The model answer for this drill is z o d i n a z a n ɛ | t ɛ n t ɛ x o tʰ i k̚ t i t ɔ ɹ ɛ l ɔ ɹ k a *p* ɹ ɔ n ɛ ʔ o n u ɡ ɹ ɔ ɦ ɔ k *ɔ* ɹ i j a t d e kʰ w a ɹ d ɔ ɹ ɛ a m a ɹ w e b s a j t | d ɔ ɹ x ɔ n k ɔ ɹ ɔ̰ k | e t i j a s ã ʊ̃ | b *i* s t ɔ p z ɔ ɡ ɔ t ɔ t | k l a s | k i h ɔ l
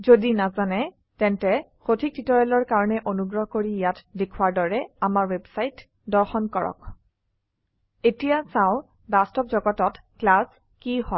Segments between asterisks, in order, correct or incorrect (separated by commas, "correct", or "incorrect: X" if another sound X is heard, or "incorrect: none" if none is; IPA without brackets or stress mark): incorrect: none, incorrect: o, incorrect: a